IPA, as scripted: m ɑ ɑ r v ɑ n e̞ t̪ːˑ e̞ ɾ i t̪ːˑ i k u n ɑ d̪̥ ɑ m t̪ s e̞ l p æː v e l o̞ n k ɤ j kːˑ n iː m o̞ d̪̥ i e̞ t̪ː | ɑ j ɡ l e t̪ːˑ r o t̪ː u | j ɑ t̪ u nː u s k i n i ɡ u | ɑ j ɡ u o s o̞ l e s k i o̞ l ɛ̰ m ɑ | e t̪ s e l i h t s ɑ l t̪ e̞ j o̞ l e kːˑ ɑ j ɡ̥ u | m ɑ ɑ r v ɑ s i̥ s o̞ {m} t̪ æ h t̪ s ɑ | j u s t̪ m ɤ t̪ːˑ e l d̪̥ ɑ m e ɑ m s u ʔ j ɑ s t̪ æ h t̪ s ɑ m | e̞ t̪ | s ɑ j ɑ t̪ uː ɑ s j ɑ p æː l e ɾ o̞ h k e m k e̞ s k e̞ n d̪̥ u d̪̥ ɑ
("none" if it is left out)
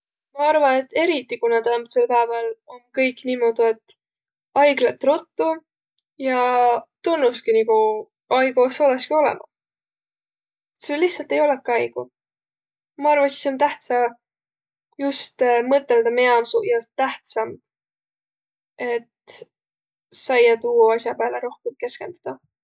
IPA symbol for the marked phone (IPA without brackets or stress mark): n